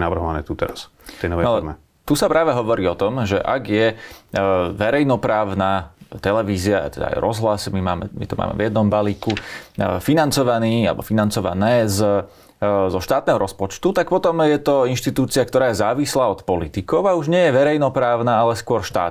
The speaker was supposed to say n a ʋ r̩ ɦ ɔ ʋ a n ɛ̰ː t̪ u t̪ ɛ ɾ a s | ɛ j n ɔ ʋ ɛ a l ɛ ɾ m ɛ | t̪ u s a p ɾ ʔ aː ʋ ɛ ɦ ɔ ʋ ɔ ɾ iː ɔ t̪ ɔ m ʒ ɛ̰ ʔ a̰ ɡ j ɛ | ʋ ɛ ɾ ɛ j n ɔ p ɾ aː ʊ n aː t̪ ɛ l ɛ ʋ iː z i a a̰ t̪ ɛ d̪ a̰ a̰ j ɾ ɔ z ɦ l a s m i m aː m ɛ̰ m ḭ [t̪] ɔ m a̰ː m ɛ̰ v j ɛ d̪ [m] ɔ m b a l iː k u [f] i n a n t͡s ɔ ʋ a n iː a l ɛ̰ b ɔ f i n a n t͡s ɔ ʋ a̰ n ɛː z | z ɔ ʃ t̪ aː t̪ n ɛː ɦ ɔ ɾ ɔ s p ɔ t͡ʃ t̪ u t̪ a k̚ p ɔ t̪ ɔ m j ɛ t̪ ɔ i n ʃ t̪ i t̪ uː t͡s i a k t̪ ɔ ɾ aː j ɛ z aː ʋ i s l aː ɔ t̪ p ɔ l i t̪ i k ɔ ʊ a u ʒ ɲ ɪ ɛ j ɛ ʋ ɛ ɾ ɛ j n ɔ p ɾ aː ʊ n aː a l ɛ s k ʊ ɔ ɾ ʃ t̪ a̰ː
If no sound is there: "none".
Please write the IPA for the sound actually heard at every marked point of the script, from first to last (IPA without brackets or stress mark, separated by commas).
t̪, n, f